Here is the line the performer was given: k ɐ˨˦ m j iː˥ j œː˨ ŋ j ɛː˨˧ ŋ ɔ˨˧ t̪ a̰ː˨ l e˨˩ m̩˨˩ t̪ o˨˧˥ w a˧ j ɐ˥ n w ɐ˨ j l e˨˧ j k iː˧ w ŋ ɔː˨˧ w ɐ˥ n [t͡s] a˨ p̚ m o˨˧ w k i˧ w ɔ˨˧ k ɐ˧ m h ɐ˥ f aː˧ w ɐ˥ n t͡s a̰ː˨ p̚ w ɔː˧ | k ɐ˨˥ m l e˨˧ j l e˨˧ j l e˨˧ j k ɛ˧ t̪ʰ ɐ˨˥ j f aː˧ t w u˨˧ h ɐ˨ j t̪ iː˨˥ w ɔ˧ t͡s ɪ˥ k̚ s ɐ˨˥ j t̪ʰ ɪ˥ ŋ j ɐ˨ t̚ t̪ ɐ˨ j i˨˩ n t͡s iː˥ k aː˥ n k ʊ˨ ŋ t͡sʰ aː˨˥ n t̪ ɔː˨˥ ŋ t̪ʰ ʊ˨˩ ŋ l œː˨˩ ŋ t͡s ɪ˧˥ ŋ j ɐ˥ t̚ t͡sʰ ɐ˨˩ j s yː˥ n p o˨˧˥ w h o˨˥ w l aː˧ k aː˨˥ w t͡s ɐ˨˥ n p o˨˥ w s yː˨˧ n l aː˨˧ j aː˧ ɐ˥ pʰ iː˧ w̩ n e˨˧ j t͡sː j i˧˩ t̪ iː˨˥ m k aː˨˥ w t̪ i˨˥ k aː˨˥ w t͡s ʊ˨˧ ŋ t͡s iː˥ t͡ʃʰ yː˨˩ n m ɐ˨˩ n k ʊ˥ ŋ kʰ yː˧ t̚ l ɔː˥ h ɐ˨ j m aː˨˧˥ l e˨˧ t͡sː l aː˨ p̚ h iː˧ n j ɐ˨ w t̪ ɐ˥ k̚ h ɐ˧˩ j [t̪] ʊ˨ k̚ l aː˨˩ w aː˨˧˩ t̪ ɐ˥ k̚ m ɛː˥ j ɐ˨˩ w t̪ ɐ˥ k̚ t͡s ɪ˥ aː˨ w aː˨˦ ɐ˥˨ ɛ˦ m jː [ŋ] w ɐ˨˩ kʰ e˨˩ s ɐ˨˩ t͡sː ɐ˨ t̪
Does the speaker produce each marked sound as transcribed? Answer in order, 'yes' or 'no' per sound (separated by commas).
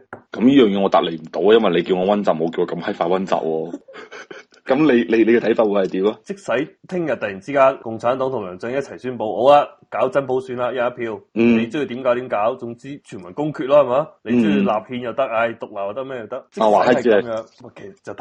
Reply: yes, yes, yes